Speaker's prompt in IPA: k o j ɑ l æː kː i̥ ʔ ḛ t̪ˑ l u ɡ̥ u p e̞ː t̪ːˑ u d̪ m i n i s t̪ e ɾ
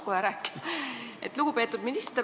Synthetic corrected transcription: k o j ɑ ɾ æː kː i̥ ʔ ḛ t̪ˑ l u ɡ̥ u p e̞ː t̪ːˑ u d̪ m i n i s t̪ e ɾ

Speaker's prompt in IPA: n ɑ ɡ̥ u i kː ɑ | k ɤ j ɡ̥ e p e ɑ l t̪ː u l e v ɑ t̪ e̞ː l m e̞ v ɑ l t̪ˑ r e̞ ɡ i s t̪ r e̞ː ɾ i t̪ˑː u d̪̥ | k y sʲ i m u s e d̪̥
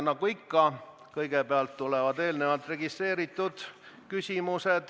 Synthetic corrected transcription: n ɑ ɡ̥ u i kː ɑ | k ɤ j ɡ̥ e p e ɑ l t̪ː u l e v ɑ d̪ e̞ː l n e̞ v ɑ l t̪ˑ r e̞ ɡ i s t̪ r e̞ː ɾ i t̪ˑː u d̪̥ | k y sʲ i m u s e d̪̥

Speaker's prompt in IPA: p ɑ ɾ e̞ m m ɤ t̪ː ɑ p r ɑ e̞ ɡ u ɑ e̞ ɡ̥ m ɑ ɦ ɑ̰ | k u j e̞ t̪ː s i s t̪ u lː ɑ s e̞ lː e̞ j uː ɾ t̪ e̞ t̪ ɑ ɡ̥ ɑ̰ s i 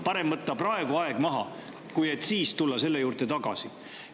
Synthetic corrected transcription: p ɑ ɾ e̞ m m ɤ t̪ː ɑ p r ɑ e̞ ɡ u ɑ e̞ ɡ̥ m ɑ ɦ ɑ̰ | k u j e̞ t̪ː s iː s t̪ u lː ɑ s e̞ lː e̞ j uː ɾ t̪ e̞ t̪ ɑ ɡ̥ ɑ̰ s i

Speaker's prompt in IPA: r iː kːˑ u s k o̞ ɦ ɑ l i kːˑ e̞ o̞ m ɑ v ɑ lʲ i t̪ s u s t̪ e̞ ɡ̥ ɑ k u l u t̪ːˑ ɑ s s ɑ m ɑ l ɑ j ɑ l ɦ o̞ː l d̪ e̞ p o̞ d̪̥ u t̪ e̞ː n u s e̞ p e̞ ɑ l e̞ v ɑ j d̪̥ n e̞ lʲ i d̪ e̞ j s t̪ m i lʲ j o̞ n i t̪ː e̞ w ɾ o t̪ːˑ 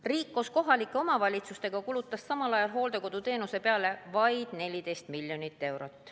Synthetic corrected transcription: r iː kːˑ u s k o̞ ɦ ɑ l i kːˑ e̞ o̞ m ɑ v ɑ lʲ i t̪ s u s t̪ e̞ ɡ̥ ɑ k u l u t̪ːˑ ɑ s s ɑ m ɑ l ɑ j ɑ l ɦ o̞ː l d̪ e̞ k o̞ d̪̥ u t̪ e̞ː n u s e̞ p e̞ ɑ l e̞ v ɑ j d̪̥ n e̞ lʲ i d̪ e̞ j s t̪ m i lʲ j o̞ n i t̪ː e̞ w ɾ o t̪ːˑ

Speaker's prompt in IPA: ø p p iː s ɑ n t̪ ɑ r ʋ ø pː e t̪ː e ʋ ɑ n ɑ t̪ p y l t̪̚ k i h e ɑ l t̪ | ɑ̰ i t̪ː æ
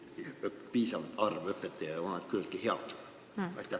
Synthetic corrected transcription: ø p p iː s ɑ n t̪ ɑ r ʋ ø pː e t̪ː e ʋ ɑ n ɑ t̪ k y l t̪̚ k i h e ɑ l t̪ | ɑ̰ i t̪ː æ

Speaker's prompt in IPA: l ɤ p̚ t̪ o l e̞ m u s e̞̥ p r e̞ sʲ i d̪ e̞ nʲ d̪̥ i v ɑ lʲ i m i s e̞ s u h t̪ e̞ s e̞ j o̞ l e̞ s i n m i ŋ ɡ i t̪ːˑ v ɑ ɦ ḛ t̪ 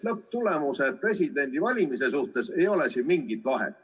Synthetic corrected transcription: l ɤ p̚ t̪ u l e̞ m u s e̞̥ p r e̞ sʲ i d̪ e̞ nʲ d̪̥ i v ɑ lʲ i m i s e̞ s u h t̪ e̞ s e̞ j o̞ l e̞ s i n m i ŋ ɡ i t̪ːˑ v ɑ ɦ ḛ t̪

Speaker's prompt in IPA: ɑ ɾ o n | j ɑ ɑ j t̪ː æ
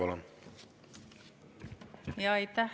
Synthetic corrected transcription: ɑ l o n | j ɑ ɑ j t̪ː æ

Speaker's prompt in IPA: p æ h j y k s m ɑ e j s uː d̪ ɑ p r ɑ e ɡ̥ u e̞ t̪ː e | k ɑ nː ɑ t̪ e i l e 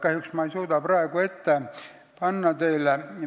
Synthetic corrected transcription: k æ h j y k s m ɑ e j s uː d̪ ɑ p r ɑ e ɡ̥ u e̞ t̪ː e | p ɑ nː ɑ t̪ e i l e

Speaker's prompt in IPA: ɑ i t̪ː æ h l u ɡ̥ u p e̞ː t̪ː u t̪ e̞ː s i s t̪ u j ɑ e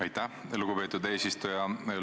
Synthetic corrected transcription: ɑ j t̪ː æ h l u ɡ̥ u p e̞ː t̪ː u d̪ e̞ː s i s t̪ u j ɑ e

